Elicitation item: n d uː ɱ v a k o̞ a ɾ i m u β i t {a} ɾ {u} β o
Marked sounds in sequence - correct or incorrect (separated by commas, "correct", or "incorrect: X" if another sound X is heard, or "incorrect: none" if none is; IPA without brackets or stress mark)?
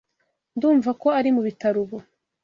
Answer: correct, correct